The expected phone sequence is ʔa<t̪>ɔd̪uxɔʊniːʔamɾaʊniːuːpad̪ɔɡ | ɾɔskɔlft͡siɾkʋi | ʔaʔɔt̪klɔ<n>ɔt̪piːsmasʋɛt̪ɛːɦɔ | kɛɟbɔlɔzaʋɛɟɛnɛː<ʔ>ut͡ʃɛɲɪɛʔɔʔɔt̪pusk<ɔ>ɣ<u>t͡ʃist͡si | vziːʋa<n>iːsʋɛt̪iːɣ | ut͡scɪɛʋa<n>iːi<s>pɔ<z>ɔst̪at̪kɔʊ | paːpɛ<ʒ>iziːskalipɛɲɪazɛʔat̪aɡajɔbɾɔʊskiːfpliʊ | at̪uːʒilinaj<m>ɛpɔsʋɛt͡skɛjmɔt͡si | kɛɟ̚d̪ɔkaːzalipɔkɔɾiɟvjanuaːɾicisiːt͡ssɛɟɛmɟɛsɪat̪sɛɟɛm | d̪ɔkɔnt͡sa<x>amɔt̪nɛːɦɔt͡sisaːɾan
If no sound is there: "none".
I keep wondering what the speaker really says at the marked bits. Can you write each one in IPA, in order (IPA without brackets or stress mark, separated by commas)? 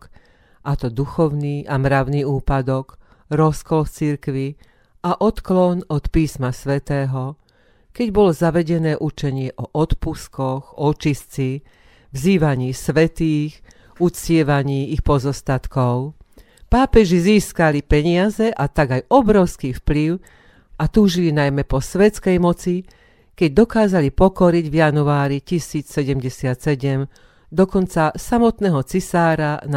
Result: t̪, n, ʔ, ɔ, ɔ, ɲ, ɲ, x, z, ʒ, m, s